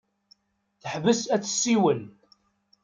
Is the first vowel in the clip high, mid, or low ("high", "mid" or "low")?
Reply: mid